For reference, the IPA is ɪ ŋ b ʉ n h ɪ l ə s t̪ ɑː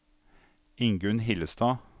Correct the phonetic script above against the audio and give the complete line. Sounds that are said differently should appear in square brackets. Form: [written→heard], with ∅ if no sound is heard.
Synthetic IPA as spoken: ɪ ŋ [b→ɡ] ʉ n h ɪ l ə s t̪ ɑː

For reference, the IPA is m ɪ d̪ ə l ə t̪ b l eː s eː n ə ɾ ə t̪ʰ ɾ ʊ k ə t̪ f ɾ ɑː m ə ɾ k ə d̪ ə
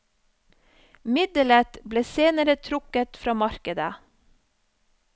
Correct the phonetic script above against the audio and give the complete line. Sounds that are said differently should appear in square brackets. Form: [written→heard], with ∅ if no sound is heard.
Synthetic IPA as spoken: m ɪ d̪ ə l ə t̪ b l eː s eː n ə ɾ ə t̪ʰ ɾ ʊ k ə t̪ f ɾ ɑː m [ə→ɑ] ɾ k ə d̪ ə

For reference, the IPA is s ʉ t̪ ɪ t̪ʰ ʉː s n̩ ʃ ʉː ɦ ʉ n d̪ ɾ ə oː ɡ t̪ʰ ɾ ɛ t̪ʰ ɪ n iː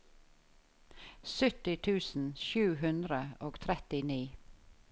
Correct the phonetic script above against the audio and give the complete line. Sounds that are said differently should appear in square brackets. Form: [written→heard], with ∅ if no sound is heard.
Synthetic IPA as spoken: s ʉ t̪ ɪ t̪ʰ ʉː s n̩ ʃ ʉː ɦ ʉ n d̪ ɾ ə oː ɡ t̪ʰ ɾ ɛ [t̪ʰ→t̪] ɪ n iː

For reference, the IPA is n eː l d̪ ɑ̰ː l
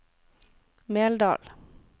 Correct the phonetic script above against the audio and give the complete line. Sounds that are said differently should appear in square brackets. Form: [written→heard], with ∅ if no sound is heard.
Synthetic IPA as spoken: [n→m] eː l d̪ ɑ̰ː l

